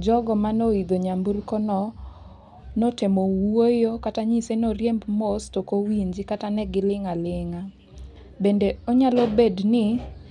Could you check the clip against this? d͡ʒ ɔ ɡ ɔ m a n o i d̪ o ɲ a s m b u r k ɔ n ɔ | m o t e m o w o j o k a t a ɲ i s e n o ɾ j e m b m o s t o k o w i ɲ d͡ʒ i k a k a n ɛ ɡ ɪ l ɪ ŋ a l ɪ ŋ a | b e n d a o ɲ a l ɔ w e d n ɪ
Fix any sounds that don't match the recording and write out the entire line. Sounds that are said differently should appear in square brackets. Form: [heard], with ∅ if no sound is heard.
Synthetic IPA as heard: d͡ʒ ɔ ɡ ɔ m a n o i d̪ o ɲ a [∅] m b u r k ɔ n ɔ | [n] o t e m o w o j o k a t a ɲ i s e n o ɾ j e m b m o s t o k o w i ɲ d͡ʒ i k a [t] a n ɛ ɡ ɪ l ɪ ŋ a l ɪ ŋ a | b e n d [e] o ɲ a l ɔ [b] e d n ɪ